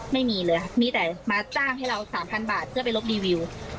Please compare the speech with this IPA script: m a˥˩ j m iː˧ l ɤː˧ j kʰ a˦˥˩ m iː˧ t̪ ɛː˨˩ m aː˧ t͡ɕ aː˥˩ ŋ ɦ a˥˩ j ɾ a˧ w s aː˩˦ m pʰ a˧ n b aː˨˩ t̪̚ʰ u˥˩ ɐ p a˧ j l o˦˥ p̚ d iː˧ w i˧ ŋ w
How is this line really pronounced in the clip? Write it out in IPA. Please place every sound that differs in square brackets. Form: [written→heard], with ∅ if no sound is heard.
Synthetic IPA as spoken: m a˥˩ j m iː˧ l ɤː˧ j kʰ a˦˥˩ m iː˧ t̪ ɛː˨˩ m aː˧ t͡ɕ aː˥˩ ŋ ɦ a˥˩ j ɾ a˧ w s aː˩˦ m pʰ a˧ n b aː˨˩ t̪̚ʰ [u˥˩→ɯ˥˩] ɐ p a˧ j l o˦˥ p̚ d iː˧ w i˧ [ŋ→∅] w